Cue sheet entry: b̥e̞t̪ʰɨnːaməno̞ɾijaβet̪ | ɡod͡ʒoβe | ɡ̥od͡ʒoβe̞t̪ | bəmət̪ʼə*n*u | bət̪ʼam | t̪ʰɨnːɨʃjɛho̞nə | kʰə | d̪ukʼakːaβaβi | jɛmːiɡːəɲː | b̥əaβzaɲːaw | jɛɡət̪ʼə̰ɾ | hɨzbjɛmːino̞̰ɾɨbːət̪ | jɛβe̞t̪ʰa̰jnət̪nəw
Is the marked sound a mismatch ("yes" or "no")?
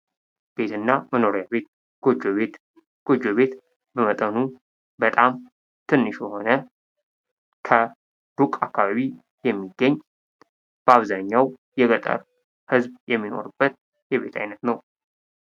no